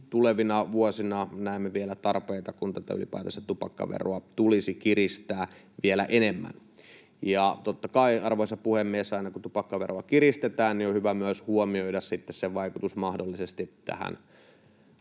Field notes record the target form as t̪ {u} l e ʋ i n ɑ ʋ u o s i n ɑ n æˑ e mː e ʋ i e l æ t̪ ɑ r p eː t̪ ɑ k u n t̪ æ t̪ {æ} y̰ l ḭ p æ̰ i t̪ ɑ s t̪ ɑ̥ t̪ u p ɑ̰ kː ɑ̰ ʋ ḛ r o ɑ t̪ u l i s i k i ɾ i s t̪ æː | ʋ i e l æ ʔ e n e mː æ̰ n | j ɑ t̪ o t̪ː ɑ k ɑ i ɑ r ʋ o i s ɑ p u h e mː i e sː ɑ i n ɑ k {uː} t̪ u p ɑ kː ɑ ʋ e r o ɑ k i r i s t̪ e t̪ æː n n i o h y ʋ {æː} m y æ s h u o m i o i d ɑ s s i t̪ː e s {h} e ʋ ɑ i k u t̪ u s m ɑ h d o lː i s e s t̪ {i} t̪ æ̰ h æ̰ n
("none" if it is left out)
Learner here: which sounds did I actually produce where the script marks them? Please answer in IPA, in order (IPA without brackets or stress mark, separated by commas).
u, æ, u, æ, s, i